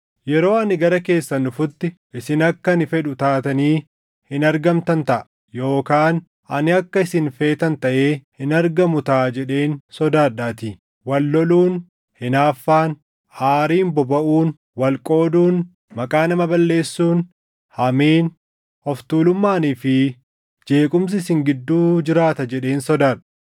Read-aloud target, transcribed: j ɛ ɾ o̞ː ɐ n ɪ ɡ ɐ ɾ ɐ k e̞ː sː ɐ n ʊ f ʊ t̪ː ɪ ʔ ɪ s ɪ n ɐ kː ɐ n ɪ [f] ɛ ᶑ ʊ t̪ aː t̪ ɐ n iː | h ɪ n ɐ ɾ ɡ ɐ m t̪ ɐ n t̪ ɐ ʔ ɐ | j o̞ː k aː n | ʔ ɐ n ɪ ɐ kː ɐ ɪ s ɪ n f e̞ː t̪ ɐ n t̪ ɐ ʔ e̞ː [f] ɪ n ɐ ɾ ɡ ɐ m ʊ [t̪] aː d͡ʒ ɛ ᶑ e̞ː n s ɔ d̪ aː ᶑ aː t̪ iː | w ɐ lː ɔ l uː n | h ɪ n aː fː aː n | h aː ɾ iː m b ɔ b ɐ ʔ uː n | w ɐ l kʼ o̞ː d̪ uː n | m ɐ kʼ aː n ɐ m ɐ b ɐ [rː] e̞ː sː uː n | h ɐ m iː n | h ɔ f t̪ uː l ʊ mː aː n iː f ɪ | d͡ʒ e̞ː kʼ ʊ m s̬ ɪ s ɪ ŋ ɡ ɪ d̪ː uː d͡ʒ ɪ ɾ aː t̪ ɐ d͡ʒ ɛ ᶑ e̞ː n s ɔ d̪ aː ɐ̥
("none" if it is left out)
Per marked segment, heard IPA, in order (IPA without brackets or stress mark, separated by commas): f, h, t̪, lː